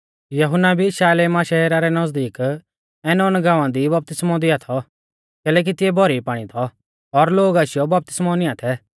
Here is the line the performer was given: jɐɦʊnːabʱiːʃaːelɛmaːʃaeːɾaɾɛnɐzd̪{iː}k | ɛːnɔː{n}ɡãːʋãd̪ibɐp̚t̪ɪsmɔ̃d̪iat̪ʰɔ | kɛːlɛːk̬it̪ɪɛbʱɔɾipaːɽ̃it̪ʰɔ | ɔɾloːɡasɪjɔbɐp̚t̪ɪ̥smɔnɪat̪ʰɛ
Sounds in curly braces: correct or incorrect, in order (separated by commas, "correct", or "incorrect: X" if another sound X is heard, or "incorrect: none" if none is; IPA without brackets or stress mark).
correct, correct